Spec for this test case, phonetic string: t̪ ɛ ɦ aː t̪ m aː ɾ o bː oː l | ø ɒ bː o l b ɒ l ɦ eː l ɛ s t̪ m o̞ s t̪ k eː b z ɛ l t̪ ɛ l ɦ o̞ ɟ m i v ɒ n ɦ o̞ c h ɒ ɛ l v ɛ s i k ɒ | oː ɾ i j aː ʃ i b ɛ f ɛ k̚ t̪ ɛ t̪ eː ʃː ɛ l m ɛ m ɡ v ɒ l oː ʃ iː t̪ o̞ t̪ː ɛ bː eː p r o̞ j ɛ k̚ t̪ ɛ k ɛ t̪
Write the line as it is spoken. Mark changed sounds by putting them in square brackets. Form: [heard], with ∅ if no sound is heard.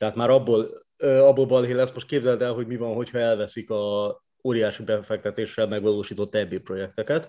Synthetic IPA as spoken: t̪ ɛ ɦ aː t̪ m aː ɾ [ɒ] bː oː l | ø ɒ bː o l b ɒ l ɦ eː l ɛ s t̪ m o̞ [ʃ] t̪ k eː b z ɛ l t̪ ɛ l ɦ o̞ ɟ m i v ɒ n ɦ o̞ c h ɒ ɛ l v ɛ s i k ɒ | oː ɾ i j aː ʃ i b ɛ f ɛ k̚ t̪ ɛ t̪ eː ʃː ɛ l m ɛ [∅] ɡ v ɒ l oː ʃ iː t̪ o̞ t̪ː ɛ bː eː p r o̞ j ɛ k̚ t̪ ɛ k ɛ t̪